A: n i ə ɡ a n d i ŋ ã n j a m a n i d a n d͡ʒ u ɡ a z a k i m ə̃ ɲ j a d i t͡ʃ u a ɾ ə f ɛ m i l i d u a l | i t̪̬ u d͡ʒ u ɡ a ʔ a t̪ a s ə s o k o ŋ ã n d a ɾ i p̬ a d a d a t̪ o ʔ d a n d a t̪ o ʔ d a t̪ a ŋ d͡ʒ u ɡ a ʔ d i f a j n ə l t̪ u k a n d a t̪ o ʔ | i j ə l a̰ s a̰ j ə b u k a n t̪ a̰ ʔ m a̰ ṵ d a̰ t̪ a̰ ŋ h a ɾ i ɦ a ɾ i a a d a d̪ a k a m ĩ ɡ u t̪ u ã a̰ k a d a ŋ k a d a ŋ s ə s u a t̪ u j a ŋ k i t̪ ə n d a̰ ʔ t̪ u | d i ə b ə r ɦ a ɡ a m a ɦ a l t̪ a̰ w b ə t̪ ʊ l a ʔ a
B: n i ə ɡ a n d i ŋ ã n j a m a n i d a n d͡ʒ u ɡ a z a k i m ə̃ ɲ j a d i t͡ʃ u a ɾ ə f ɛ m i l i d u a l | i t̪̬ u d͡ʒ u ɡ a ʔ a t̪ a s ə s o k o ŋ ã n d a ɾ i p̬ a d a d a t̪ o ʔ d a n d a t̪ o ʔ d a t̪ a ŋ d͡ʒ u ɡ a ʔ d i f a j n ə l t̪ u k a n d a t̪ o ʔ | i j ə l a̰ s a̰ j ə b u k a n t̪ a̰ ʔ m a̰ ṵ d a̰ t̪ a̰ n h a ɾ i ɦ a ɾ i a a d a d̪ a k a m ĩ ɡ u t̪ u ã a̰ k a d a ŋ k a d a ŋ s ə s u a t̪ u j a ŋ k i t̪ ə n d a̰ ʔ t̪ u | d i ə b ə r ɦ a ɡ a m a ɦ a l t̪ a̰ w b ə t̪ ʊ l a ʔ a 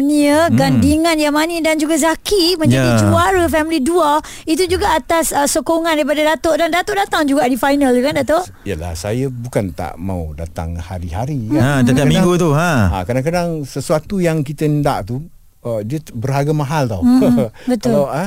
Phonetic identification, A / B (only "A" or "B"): A